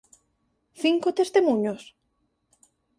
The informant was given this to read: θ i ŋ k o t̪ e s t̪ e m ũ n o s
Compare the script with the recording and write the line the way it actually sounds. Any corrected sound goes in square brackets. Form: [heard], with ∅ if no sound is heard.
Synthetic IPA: θ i ŋ k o t̪ e s t̪ e m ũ [ɲ] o s

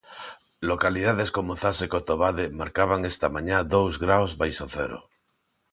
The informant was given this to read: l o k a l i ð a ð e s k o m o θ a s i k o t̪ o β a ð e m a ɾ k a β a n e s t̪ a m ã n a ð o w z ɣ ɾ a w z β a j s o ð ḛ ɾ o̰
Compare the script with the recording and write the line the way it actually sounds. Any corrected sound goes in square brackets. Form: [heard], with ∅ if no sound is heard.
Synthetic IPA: l o k a l i ð a ð e s k o m o θ a s [e] k o t̪ o β a ð e m a ɾ k a β a [ŋ] e s t̪ a m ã [ɲ] a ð o w z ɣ ɾ a w z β a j s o [θ] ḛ ɾ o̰

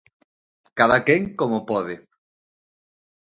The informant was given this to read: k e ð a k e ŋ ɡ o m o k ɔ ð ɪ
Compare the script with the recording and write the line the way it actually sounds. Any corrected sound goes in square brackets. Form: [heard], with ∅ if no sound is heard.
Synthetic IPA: k [a] ð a k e ŋ [k] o m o [p] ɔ ð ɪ

